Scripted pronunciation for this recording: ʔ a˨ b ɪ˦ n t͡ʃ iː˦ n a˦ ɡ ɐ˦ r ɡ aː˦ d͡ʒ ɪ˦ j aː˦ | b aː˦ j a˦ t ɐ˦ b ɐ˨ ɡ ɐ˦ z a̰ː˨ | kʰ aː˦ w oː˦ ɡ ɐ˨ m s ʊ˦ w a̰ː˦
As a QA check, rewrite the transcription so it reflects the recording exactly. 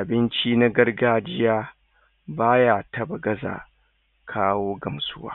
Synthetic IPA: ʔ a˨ b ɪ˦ n t͡ʃ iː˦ n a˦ ɡ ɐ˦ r ɡ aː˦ d͡ʒ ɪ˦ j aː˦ | b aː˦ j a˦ t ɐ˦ b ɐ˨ ɡ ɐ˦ z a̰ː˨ | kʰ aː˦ w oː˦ ɡ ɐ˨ m s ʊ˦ w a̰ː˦